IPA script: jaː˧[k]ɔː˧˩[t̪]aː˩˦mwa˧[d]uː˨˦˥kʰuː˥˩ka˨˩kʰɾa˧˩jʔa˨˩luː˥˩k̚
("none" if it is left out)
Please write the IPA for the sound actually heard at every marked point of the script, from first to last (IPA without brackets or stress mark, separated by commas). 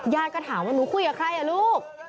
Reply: k, t̪ʰ, n